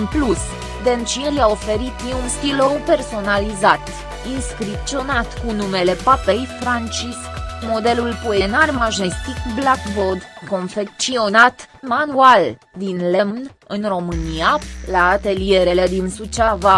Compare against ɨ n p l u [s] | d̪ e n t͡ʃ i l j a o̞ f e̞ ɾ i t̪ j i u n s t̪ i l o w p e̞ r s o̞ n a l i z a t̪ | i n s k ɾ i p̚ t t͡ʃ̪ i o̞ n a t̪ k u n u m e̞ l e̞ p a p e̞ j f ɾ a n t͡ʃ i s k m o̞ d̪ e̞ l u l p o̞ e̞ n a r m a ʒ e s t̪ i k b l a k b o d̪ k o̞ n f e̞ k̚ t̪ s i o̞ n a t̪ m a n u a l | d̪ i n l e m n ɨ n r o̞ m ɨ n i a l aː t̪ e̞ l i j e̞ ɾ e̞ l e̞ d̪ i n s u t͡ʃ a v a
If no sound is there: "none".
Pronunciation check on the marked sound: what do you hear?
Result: s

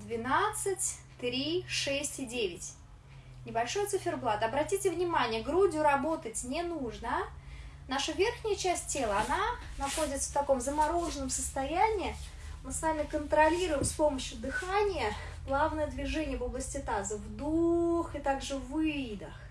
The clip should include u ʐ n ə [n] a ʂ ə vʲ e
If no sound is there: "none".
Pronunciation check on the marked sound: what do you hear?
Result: n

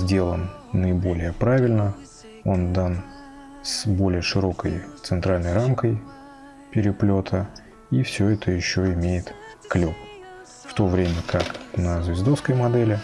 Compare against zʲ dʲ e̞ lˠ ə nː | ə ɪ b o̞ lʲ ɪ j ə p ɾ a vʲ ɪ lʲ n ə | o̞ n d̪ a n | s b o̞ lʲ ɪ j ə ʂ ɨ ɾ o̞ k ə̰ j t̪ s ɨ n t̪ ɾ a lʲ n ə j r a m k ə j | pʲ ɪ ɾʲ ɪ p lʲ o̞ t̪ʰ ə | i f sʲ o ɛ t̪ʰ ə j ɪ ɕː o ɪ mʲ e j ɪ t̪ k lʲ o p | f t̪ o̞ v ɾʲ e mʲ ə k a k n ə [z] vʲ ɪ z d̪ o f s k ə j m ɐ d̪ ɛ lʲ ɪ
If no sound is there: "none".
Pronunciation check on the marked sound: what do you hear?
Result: z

